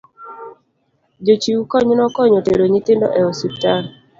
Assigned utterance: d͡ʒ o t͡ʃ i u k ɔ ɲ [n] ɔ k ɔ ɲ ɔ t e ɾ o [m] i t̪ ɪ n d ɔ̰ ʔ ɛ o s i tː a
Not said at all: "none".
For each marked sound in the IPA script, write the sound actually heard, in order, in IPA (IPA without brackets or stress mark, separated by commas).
n, ɲ